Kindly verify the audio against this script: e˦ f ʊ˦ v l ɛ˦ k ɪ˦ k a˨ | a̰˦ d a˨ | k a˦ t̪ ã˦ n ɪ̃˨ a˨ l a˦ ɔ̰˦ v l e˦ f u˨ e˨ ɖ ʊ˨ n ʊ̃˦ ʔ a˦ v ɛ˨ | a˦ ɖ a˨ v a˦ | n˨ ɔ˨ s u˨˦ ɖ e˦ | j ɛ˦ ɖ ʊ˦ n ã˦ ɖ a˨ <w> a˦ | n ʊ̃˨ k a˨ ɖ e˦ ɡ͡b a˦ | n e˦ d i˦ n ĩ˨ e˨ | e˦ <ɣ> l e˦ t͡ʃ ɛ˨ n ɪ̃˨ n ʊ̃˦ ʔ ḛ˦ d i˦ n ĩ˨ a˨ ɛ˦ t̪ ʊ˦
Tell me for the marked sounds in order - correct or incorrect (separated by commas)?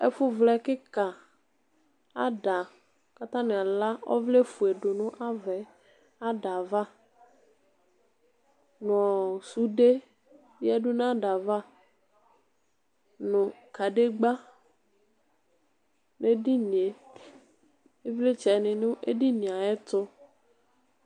incorrect, incorrect